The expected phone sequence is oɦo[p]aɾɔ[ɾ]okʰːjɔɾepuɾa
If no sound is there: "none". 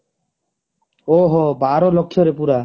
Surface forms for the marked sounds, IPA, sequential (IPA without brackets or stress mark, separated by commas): b, l